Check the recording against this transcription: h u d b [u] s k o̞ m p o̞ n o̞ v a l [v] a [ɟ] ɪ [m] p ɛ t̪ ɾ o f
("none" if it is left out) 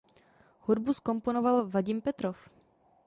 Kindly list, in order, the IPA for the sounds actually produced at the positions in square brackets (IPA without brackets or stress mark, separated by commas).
u, v, ɟ, m